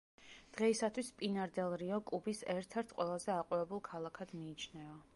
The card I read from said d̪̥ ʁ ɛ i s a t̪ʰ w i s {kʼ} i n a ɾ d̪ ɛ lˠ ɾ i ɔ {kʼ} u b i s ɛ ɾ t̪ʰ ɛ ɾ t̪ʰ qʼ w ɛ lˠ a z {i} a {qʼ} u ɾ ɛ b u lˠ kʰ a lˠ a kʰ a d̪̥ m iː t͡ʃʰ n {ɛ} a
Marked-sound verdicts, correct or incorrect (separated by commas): incorrect, correct, incorrect, correct, correct